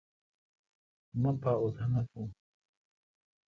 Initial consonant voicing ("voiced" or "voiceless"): voiced